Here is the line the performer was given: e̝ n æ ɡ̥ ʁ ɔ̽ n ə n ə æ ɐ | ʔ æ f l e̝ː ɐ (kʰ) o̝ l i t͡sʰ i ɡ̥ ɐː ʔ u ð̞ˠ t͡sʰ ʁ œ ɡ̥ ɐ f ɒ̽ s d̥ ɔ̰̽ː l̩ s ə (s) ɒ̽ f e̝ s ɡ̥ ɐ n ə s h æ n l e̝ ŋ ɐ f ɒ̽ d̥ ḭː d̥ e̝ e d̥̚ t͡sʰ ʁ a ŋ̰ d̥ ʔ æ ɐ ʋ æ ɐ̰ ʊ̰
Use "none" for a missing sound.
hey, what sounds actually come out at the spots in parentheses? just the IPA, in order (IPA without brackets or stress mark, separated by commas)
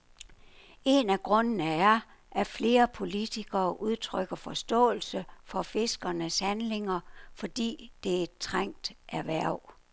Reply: pʰ, f